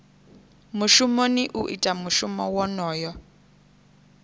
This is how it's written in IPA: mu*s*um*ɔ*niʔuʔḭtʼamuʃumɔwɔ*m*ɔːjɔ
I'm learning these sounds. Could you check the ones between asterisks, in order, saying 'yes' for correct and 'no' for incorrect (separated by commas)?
no, no, no